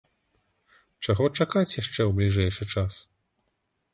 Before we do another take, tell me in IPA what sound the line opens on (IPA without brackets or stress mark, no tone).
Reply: t͡ʂ